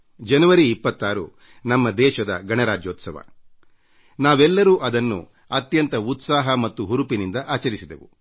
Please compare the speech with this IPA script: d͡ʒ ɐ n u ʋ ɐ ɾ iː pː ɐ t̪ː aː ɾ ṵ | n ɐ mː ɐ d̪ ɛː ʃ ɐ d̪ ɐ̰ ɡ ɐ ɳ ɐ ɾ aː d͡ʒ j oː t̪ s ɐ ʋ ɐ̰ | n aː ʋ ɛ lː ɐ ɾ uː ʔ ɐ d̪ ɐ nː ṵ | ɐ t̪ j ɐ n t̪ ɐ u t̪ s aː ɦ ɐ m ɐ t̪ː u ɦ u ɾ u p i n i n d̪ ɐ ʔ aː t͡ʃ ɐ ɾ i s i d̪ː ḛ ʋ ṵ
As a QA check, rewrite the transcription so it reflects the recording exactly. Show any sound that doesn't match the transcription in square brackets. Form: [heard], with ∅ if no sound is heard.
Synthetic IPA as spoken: d͡ʒ ɐ n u ʋ ɐ ɾ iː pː ɐ t̪ː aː ɾ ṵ | n ɐ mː ɐ d̪ ɛː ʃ ɐ d̪ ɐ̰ ɡ ɐ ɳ ɐ ɾ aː d͡ʒ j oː t̪ s ɐ ʋ ɐ̰ | n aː ʋ ɛ lː ɐ ɾ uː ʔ ɐ d̪ ɐ nː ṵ | ɐ t̪ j ɐ n t̪ ɐ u t̪ s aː ɦ ɐ m ɐ t̪ː u ɦ u ɾ u p i n i n d̪ ɐ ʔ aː t͡ʃ ɐ ɾ i s i [d̪] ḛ ʋ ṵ